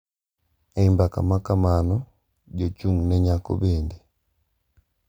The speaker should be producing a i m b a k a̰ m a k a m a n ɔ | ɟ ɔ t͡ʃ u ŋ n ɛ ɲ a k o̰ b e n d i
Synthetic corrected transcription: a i m b a k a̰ m a k a m a n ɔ | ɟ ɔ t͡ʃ u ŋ n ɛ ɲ a k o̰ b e n d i